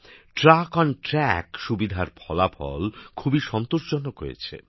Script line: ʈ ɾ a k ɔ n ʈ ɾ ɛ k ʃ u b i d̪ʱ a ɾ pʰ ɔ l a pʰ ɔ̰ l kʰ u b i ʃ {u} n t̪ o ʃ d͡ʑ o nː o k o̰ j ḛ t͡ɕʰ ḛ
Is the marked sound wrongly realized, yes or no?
yes